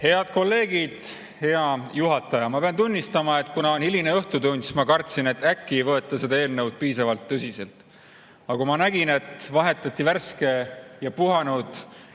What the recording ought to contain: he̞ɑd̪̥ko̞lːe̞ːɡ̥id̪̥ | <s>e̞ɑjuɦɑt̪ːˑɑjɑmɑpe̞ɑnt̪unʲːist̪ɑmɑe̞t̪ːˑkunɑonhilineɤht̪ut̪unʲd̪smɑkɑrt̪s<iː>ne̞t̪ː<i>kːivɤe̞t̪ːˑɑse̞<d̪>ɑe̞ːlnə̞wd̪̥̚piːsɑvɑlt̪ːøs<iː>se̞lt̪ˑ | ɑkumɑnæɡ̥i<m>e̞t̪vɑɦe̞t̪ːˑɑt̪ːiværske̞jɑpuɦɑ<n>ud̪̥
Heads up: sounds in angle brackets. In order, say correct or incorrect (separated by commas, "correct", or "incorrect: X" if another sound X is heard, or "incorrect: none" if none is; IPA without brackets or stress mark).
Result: incorrect: h, incorrect: i, incorrect: æ, correct, incorrect: i, incorrect: n, correct